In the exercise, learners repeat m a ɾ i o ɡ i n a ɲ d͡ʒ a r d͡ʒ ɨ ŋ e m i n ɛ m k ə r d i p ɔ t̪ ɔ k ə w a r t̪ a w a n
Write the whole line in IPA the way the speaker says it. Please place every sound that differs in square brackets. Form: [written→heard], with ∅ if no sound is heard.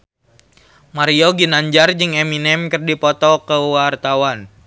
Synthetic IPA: m a ɾ i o ɡ i n a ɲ d͡ʒ a r d͡ʒ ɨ ŋ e m i n ɛ m k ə r d i p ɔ t̪ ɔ k ə w a r t̪ a w a n